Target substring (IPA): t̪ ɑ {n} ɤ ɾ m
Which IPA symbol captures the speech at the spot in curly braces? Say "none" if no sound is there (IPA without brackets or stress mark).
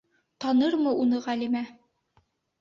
n